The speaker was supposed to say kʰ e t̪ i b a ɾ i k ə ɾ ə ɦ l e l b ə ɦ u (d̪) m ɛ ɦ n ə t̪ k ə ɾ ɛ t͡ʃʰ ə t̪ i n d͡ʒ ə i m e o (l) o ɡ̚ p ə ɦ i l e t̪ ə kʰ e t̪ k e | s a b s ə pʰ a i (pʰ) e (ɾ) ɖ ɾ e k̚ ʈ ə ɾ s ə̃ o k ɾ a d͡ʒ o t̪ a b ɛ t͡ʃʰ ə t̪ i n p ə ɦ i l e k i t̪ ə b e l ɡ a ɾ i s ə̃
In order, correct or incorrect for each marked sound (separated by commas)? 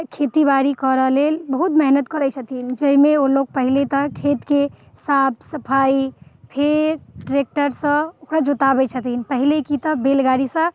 incorrect, correct, correct, correct